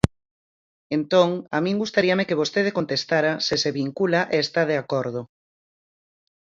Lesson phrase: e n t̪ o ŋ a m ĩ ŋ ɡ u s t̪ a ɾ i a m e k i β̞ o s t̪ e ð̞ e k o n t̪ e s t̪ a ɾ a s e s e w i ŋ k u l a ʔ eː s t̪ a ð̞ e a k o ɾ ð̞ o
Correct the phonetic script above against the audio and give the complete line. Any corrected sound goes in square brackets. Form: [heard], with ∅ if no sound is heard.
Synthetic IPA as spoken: e n t̪ o ŋ a m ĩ ŋ ɡ u s t̪ a ɾ i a m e k [e] β̞ o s t̪ e ð̞ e k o n t̪ e s t̪ a ɾ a s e s e [β] i ŋ k u l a ʔ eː s t̪ a ð̞ e a k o ɾ ð̞ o